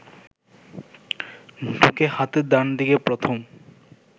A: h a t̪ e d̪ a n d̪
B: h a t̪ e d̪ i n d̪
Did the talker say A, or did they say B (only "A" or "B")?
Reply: A